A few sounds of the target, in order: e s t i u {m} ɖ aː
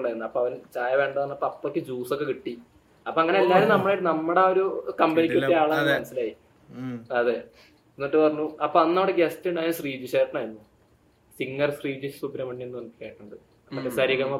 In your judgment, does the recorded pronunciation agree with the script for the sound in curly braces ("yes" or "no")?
no